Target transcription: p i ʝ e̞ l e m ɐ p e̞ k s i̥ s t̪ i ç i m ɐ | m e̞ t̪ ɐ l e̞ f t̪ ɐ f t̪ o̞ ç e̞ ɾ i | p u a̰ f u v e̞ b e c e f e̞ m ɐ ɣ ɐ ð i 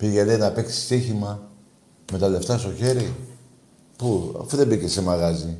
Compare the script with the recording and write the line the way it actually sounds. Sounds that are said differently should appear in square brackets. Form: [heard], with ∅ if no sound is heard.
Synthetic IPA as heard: p i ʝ e̞ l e [n] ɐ p e̞ k s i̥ s t̪ i ç i m ɐ | m e̞ t̪ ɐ l e̞ f t̪ ɐ [s] t̪ o̞ ç e̞ ɾ i | p u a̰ f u [ð] e̞ b [i] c e [s] e̞ m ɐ ɣ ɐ [z] i